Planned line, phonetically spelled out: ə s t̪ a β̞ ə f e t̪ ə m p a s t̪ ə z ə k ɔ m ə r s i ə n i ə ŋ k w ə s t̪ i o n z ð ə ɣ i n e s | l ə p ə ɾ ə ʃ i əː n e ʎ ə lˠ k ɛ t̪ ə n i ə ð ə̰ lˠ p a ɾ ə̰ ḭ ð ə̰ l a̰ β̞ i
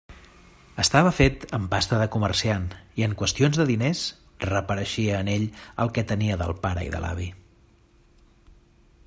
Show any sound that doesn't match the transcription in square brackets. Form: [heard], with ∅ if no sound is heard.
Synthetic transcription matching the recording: ə s t̪ a β̞ ə f e t̪ ə m p a s t̪ ə [ð] ə k [u] m ə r s i [a] n i ə ŋ k w ə s t̪ i o n z ð ə [ð] i n e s | [r] ə p ə ɾ ə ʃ i əː n e ʎ ə lˠ k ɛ t̪ ə n i ə ð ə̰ lˠ p a ɾ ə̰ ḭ ð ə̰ l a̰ β̞ i

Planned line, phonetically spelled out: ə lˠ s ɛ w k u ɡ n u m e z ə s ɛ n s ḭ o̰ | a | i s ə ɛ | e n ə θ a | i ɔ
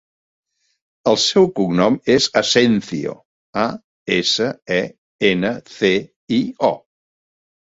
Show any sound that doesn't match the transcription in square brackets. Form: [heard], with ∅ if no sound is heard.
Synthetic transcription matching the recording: ə lˠ s ɛ w k u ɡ n [ɔ] m e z ə s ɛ n [θ] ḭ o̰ | a | [e] s ə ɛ | e n ə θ [e] | i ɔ

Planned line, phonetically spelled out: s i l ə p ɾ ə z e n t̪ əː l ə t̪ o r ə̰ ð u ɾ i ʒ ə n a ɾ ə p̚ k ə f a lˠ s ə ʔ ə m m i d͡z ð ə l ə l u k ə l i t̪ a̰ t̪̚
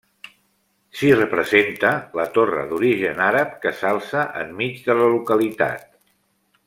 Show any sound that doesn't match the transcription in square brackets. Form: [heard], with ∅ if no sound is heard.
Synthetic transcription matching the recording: s i [r] ə p ɾ ə z e n t̪ [ə] l ə t̪ o r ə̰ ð u ɾ i ʒ ə n a ɾ ə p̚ k ə [s] a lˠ s ə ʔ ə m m i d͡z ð ə l ə l u k ə l i t̪ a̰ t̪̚

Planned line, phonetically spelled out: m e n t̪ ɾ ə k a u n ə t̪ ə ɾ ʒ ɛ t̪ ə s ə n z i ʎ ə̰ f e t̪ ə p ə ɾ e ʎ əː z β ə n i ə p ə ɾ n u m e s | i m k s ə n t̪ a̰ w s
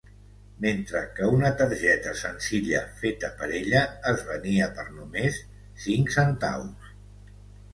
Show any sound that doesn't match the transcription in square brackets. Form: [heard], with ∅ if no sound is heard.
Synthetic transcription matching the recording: m e n t̪ ɾ ə k [ə] u n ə t̪ ə ɾ ʒ ɛ t̪ ə s ə n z i ʎ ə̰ f e t̪ ə p ə ɾ e ʎ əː z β ə n i ə p ə ɾ n u m e [sː] | i [ŋ] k s ə n t̪ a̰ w s

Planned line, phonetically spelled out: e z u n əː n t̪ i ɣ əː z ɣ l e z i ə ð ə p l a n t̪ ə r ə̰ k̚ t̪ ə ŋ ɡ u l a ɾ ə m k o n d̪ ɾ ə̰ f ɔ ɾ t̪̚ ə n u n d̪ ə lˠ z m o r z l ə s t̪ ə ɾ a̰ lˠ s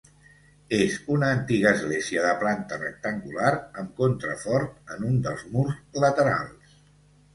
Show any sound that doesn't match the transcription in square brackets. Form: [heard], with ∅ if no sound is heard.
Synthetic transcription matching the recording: e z u n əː n t̪ i ɣ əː z ɣ l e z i ə ð ə p l a n t̪ ə r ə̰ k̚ t̪ ə ŋ ɡ u l a ɾ ə m k o n [t̪] ɾ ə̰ f ɔ ɾ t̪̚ ə n u n d̪ ə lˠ z m [u] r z l ə [∅] t̪ ə ɾ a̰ lˠ s

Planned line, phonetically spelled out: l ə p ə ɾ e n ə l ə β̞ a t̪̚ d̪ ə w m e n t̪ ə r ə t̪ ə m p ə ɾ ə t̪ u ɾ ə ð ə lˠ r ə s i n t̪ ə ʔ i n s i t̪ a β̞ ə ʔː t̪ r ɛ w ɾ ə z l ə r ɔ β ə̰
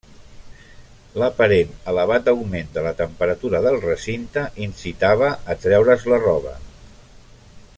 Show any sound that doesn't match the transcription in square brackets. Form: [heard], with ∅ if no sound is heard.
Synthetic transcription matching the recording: l ə p ə ɾ e n ə l ə β̞ a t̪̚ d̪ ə w m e n [d̪] ə [l] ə t̪ ə m p ə ɾ ə t̪ u ɾ ə ð ə lˠ r ə s i n t̪ ə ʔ i n s i t̪ a β̞ ə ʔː t̪ [ɾ] ɛ w ɾ ə z l ə r ɔ β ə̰

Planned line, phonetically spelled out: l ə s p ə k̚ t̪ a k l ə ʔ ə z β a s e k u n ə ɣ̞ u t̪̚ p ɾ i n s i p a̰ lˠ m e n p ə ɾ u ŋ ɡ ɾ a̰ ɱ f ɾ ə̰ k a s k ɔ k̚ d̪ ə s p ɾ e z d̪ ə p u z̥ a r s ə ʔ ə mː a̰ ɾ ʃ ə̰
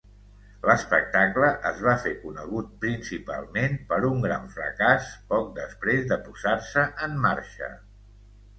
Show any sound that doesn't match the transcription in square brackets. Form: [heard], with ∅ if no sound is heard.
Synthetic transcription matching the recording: l ə s p ə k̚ t̪ a k l ə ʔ ə z β a [f] e k u n ə ɣ̞ u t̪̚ p ɾ i n s i p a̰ lˠ m e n p ə ɾ u ŋ ɡ ɾ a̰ ɱ f ɾ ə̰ k a s [p] ɔ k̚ d̪ ə s p ɾ e z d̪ ə p u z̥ a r s ə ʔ ə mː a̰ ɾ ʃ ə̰

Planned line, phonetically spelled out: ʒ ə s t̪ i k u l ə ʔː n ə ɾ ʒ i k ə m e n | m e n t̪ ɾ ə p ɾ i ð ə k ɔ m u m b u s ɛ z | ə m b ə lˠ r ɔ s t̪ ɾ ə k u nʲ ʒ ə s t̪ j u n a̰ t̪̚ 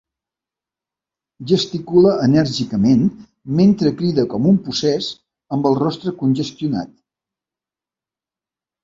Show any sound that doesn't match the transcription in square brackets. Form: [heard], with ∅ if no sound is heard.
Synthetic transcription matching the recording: ʒ ə s t̪ i k u l ə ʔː n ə ɾ ʒ i k ə m e n | m e n t̪ ɾ ə [k] ɾ i ð ə k ɔ m u m [p] u s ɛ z | ə m b ə lˠ r ɔ s t̪ ɾ ə k u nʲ ʒ ə s t̪ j u n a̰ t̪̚

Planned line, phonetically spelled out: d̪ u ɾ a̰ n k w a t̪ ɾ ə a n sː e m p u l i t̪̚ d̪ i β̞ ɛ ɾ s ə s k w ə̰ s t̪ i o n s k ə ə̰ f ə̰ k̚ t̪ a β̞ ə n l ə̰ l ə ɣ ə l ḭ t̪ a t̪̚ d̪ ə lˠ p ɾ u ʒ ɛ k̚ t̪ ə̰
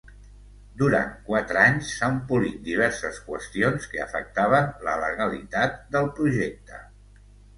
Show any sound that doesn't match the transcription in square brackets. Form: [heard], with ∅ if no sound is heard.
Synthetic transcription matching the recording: d̪ u ɾ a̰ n k w a t̪ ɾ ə a [ɲ] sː [a] m p u l i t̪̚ d̪ i β̞ ɛ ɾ s ə s k w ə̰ s t̪ i o n s k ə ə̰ f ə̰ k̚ t̪ a β̞ ə n l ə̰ l ə ɣ ə l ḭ t̪ a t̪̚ d̪ ə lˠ p ɾ u ʒ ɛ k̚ t̪ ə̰

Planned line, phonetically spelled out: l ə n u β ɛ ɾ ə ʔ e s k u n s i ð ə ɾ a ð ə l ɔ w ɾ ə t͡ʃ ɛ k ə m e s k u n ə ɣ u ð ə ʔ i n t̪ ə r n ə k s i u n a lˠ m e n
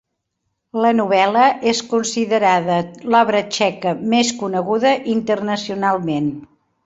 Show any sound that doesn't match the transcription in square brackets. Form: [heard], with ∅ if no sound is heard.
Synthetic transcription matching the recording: l ə n u β ɛ [l] ə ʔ e s k u n s i ð ə ɾ a ð ə l ɔ [β] ɾ ə t͡ʃ ɛ k ə m e s k u n ə ɣ u ð ə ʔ i n t̪ ə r n ə [∅] s i u n a lˠ m e n

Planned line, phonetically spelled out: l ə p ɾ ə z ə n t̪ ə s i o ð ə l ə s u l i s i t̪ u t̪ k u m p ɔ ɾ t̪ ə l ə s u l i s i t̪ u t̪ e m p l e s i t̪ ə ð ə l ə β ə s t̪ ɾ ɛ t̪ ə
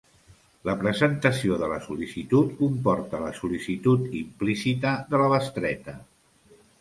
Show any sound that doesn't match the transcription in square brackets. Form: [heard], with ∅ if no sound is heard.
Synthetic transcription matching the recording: l ə p ɾ ə z ə n t̪ ə s i o ð ə l ə s u l i s i t̪ u t̪ k u m p ɔ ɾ t̪ ə l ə s u l i s i t̪ u t̪ [i] m p l [i] s i t̪ ə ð ə l ə β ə s t̪ ɾ ɛ t̪ ə

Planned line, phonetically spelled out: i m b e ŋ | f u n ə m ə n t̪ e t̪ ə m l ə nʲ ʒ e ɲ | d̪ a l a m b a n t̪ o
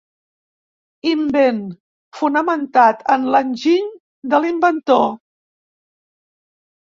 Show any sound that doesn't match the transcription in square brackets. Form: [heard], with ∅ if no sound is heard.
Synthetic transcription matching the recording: i m b e [n] | f u n ə m ə n t̪ [a] t̪ ə [n] l ə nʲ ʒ [i] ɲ | d̪ [ə] l [i] m b [ə] n t̪ o

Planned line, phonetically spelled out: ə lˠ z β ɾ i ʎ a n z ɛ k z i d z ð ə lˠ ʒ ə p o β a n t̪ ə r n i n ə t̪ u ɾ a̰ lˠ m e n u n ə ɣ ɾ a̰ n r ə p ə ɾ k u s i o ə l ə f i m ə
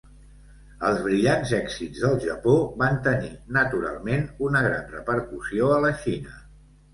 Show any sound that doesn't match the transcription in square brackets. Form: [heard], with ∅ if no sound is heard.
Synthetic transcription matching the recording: ə lˠ z β ɾ i ʎ a n z ɛ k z i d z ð ə lˠ ʒ ə p o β a n t̪ ə [∅] n i n ə t̪ u ɾ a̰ lˠ m e n u n ə ɣ ɾ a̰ n r ə p ə ɾ k u s i o ə l ə [ʃ] i [n] ə

